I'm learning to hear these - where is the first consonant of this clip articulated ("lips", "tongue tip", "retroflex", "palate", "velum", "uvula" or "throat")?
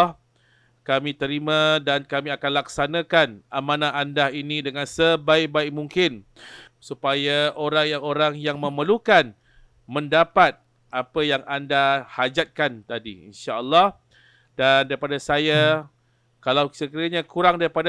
velum